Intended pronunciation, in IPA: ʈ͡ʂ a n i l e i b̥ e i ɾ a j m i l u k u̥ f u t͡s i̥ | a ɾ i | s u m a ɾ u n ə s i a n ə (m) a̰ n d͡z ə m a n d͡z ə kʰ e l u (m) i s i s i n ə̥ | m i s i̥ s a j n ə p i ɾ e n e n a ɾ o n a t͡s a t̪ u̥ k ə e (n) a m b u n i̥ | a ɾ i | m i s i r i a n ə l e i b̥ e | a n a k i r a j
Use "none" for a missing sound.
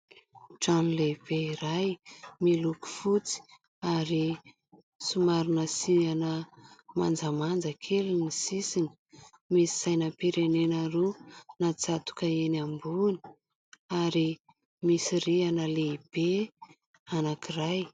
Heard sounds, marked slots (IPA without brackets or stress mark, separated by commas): m, n, n